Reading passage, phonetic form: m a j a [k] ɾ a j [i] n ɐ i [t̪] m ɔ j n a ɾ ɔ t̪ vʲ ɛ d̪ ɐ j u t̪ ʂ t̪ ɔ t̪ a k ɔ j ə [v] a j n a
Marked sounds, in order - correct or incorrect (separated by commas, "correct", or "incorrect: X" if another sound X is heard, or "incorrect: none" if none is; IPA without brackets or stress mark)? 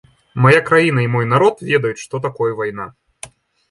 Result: correct, correct, incorrect: none, correct